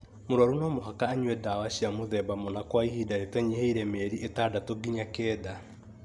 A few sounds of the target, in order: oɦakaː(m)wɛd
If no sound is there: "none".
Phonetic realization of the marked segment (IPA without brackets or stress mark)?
ɲ